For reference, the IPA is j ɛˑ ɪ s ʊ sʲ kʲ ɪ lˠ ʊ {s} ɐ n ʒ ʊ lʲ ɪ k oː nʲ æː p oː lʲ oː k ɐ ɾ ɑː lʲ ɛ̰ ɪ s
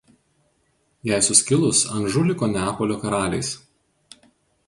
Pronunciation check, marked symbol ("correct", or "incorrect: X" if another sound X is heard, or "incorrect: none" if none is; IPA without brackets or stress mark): correct